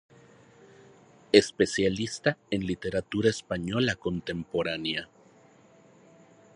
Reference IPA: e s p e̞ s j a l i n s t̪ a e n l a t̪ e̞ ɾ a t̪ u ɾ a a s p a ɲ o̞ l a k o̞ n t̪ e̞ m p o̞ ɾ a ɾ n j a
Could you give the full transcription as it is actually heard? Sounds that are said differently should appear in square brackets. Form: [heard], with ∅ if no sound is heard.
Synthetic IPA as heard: e s p e̞ s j a l i [∅] s t̪ a e n l [i] t̪ e̞ ɾ a t̪ u ɾ a [e] s p a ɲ o̞ l a k o̞ n t̪ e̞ m p o̞ ɾ a [∅] n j a